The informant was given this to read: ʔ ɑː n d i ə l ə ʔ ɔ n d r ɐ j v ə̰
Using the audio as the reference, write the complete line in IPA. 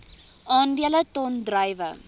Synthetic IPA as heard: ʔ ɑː n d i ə l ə t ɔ n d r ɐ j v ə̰